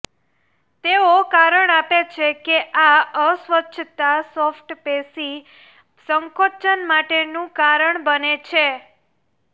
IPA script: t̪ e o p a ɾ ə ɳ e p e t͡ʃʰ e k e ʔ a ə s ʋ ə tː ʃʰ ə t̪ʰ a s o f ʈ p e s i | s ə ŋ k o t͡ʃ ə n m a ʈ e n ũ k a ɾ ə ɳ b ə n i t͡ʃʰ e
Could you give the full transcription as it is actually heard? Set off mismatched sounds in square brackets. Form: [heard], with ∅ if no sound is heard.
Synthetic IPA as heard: t̪ e o [k] a ɾ ə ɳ [a] p e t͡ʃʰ e k e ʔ a ə s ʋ ə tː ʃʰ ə [t̪] a s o f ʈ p e s i | s ə ŋ k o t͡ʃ ə n m a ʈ e n ũ k a ɾ ə ɳ b ə n [e] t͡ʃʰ e